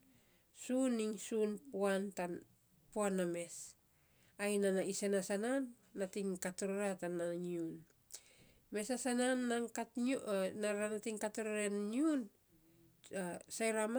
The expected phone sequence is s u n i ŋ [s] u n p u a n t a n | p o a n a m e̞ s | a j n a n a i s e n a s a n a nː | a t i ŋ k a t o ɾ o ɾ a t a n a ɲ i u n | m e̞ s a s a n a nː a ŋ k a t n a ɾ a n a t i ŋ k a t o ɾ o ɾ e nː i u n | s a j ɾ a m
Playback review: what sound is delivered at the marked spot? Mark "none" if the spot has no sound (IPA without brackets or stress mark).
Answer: s